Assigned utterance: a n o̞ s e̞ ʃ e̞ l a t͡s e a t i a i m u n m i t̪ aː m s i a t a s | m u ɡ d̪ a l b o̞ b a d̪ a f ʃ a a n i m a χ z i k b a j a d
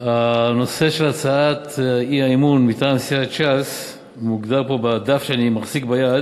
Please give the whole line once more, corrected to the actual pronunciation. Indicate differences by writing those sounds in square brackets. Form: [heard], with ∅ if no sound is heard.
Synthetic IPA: a n o̞ s e̞ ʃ e̞ l a t͡s [a] a t i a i m u n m i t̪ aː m s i a [t͡ʃ] a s | m u ɡ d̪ a l [p] o̞ b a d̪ a f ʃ [e] a n i m a χ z i k b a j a d